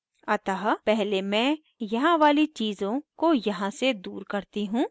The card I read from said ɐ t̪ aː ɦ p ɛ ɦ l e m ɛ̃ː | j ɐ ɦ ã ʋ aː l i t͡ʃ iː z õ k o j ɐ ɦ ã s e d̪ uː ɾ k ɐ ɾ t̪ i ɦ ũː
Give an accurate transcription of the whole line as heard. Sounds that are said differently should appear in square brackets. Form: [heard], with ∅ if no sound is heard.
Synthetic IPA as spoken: ɐ t̪ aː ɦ p ɛ ɦ l e m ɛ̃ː | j ɐ ɦ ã ʋ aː l i t͡ʃ iː z õ k o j ɐ ɦ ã s e d̪ uː ɾ k ɐ ɾ t̪ i ɦ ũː